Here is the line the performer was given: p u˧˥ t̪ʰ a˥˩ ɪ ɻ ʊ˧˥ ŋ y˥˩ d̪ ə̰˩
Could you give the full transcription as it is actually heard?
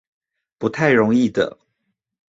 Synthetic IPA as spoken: p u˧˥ t̪ʰ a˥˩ ɪ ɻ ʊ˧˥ ŋ i˥˩ d̪ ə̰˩

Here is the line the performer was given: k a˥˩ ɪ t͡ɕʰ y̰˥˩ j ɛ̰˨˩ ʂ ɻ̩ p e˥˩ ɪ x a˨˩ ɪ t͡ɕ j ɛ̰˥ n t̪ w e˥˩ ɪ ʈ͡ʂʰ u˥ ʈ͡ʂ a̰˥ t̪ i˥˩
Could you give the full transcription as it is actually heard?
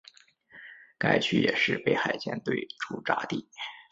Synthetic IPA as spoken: k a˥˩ ɪ t͡ɕʰ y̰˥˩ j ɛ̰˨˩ ʂ ɻ̩ p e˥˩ ɪ x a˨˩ ɪ t͡ɕ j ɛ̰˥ n t̪ w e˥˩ ɪ ʈ͡ʂʰ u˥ ʈ͡ʂ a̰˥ t̪ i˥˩

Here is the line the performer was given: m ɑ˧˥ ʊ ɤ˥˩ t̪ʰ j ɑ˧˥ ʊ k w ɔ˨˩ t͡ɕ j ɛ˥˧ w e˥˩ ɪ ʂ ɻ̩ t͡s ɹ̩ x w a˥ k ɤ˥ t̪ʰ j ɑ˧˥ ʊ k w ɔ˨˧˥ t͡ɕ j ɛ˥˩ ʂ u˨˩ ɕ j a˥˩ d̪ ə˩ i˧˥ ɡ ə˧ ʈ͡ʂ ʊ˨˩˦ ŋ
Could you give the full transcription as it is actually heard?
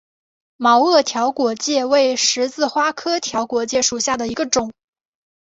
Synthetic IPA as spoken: m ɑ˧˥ ʊ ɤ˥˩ t̪ʰ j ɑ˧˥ ʊ k w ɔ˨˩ t͡ɕ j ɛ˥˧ w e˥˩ ɪ ʂ ɻ̩ t͡s ɹ̩ x w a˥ kʰ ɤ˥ t̪ʰ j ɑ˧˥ ʊ k w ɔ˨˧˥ t͡ɕ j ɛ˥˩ ʂ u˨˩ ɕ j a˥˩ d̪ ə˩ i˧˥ ɡ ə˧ ʈ͡ʂ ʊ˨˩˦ ŋ

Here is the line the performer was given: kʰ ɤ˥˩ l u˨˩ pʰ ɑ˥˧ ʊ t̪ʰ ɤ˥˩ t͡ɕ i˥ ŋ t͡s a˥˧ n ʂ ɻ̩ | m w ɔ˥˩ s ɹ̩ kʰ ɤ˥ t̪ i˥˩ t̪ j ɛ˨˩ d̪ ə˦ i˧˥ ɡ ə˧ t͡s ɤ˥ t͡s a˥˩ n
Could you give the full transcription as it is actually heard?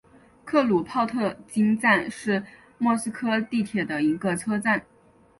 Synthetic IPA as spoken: kʰ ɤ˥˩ l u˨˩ pʰ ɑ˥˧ ʊ t̪ʰ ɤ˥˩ t͡ɕ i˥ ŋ t͡s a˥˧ n ʂ ɻ̩ | m w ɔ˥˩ s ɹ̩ kʰ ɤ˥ t̪ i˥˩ t̪ʰ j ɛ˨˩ d̪ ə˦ i˧˥ ɡ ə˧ t͡sʰ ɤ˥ t͡s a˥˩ n

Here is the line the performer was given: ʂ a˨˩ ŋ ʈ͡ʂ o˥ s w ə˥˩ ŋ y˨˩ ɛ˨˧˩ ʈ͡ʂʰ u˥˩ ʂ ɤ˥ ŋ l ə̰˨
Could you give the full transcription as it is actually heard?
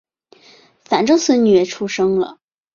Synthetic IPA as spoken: f a˨˩ n ʈ͡ʂ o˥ s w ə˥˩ n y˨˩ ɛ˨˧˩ ʈ͡ʂʰ u˥ ʂ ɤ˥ ŋ l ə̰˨

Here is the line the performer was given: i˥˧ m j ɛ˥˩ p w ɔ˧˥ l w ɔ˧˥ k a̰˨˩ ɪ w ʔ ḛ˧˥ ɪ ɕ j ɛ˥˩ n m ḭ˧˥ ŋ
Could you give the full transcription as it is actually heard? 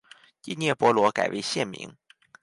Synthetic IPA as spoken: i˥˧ n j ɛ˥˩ p w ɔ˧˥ l w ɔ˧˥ k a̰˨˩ ɪ w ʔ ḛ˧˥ ɪ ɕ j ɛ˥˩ n m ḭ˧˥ ŋ

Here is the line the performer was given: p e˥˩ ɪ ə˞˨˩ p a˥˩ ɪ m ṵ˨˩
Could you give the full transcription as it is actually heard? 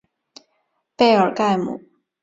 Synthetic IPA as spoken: p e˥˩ ɪ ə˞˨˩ k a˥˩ ɪ m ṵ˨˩

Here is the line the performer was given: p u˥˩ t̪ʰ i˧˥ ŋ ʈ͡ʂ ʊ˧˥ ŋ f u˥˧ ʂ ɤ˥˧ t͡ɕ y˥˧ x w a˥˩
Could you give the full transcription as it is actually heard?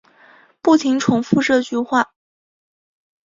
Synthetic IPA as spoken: p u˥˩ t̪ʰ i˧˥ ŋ ʈ͡ʂʰ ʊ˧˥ ŋ f u˥˧ ʈ͡ʂ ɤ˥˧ t͡ɕ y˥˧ x w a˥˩

